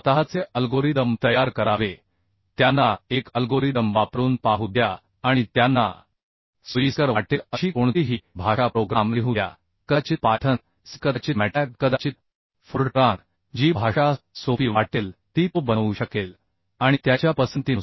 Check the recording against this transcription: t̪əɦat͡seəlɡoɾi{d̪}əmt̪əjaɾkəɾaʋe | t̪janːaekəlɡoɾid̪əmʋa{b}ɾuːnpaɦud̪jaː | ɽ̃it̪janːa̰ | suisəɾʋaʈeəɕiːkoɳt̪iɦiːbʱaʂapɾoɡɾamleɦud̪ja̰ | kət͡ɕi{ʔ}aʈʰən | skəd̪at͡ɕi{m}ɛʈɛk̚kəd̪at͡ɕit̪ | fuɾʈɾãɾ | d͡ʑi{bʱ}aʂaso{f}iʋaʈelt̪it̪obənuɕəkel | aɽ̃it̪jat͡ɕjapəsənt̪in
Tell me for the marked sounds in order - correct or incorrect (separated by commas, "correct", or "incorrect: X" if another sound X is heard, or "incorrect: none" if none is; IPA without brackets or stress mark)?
correct, incorrect: p, incorrect: p, correct, correct, correct